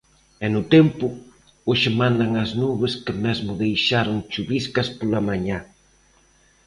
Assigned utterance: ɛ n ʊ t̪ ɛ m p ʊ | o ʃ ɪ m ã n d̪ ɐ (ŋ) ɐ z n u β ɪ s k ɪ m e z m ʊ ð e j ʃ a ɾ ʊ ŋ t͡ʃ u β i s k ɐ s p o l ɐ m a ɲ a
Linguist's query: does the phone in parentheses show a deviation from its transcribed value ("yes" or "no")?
no